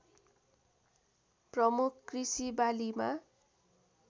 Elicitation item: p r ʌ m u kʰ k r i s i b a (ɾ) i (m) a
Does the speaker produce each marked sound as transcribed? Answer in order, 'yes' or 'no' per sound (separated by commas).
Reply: no, yes